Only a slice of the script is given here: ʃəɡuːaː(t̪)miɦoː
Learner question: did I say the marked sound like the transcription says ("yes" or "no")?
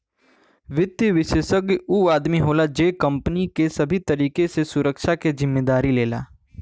no